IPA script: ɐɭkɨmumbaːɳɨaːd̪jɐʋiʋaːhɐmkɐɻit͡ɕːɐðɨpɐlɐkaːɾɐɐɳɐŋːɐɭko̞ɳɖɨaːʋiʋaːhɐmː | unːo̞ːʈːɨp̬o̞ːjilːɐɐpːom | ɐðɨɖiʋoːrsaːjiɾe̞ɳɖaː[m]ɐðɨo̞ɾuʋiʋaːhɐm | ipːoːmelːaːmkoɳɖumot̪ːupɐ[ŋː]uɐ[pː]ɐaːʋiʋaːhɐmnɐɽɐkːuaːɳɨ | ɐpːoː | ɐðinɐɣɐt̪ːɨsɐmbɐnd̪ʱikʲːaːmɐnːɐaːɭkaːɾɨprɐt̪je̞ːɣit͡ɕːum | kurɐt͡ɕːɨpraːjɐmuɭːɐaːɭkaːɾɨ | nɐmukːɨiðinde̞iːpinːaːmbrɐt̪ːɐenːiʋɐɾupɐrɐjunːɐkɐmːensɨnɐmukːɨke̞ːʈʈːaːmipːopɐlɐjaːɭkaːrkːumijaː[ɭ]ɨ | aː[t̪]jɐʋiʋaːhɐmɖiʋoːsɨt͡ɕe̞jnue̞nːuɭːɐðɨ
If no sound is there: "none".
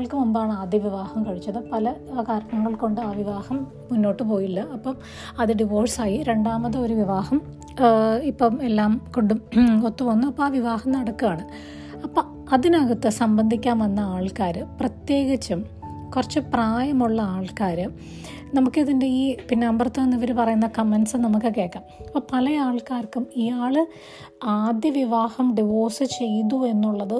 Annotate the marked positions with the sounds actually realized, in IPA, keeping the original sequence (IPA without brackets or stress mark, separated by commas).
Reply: m, nː, pː, ɭ, d̪